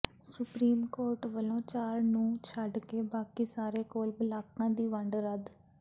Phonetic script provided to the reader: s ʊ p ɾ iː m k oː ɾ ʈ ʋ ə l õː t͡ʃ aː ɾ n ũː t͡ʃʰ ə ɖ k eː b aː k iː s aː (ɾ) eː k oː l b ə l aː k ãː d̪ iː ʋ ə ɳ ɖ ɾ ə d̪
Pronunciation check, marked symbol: correct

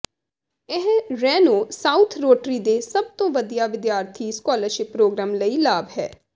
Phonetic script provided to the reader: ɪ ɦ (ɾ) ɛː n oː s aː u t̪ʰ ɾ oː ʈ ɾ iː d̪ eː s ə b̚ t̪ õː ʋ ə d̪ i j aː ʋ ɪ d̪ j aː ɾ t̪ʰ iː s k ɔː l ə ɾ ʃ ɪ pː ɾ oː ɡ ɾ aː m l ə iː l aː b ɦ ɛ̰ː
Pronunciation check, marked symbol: correct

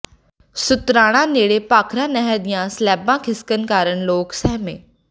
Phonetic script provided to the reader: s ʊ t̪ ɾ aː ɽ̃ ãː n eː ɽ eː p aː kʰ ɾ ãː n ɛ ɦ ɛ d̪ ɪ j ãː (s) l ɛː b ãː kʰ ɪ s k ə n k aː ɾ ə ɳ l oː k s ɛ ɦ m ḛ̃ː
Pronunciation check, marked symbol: correct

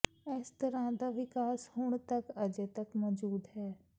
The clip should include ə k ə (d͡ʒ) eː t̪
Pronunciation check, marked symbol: correct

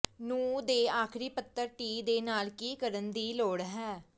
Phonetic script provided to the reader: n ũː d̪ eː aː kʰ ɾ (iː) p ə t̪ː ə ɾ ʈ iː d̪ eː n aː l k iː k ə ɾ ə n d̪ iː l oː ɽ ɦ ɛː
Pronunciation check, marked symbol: correct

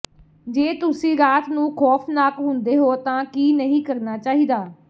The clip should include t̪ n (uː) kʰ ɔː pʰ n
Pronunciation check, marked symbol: incorrect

